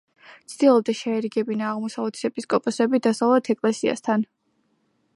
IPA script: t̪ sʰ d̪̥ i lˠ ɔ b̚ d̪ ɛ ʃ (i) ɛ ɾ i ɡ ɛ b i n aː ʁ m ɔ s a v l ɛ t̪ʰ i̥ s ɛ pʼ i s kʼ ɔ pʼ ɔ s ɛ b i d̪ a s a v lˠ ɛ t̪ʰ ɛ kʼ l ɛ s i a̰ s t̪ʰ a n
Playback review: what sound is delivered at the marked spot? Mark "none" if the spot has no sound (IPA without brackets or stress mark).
ɛ